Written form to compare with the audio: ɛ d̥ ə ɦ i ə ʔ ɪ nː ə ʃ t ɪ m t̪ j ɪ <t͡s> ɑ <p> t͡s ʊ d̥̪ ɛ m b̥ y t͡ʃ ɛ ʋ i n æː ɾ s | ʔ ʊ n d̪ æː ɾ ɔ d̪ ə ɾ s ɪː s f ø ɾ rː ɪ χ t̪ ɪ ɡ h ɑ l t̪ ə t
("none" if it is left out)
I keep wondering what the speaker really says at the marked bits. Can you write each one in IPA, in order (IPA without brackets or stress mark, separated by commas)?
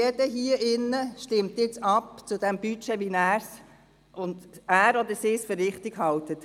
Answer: t͡s, p